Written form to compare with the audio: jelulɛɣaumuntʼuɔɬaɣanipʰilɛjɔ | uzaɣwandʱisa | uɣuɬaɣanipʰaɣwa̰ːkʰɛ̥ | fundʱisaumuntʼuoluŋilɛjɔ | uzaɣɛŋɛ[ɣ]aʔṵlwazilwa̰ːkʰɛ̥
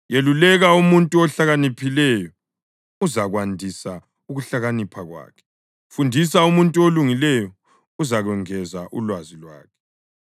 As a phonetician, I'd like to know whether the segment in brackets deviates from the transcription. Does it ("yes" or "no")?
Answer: yes